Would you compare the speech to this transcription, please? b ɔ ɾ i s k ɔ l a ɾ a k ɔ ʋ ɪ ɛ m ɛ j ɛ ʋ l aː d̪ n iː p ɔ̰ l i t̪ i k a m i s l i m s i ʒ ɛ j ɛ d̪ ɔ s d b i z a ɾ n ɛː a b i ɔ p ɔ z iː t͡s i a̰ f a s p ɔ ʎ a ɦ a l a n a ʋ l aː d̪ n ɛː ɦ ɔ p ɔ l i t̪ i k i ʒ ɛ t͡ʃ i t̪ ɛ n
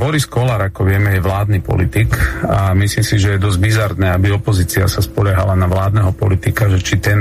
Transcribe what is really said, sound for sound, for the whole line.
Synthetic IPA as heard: b ɔ ɾ i s k ɔ l a ɾ a k ɔ ʋ ɪ ɛ m ɛ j ɛ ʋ l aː d̪ n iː p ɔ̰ l i t̪ i k a m i s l i m s i ʒ ɛ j ɛ d̪ ɔ z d b i z a ɾ n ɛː a b i ɔ p ɔ z iː t͡s i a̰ s a s p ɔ ʎ a ɦ a l a n a ʋ l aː d̪ n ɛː ɦ ɔ p ɔ l i t̪ i k a ʒ ɛ t͡ʃ i t̪ ɛ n